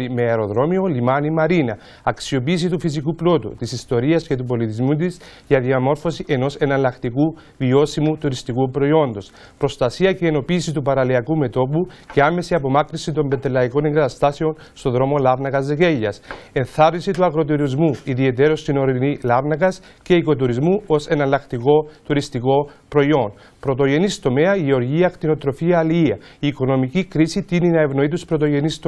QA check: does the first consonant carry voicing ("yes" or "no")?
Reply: yes